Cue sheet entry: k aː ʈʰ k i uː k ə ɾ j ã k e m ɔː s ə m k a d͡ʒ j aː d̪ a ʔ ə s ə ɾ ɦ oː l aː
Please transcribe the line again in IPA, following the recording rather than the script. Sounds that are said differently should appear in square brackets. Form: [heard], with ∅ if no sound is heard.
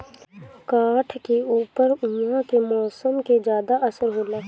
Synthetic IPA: k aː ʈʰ k [e] uː [p] ə ɾ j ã k e m ɔː s ə m k [e] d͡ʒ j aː d̪ a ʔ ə s ə ɾ ɦ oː l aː

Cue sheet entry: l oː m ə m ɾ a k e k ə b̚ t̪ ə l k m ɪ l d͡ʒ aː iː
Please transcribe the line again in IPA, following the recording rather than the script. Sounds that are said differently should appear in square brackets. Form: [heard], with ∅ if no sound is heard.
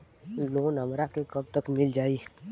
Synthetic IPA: l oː [n] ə m ɾ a k e k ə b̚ t̪ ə [∅] k m ɪ l d͡ʒ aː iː

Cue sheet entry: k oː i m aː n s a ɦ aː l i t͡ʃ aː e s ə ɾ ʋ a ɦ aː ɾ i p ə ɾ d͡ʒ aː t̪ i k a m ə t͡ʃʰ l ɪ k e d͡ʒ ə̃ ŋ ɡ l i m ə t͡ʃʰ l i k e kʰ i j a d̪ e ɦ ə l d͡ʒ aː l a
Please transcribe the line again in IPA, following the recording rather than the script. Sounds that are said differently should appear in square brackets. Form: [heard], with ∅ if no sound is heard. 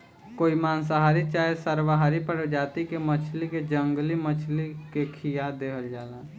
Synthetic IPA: k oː i m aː n s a ɦ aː [ɾ] i t͡ʃ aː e s ə ɾ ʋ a ɦ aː ɾ i p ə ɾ d͡ʒ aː t̪ i k [e] m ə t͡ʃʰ l [i] k e d͡ʒ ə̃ ŋ ɡ l i m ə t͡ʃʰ l i k e kʰ i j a d̪ e ɦ ə l d͡ʒ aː l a

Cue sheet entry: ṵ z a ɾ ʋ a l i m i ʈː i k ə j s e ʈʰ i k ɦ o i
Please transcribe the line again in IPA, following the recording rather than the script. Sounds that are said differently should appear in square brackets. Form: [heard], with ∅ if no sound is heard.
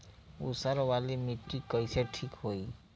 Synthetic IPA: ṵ [s] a ɾ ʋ a l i m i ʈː i k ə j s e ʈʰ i k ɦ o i

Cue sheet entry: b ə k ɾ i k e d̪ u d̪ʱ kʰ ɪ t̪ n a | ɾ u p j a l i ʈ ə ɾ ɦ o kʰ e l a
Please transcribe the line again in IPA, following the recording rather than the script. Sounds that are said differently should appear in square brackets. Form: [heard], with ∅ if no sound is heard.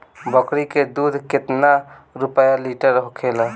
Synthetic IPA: b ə k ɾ i k e d̪ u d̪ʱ [k] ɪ t̪ n a | ɾ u p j a l i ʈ ə ɾ ɦ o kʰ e l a

